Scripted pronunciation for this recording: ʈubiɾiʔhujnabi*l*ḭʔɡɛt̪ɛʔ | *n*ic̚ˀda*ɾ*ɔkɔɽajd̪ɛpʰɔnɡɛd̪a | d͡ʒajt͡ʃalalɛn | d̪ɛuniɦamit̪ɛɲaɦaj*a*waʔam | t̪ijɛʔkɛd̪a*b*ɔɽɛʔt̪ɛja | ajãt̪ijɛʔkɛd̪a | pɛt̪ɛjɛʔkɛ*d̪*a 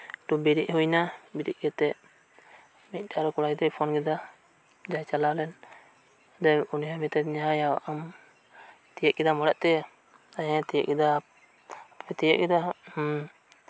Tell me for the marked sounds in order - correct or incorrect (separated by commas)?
incorrect, incorrect, correct, correct, incorrect, correct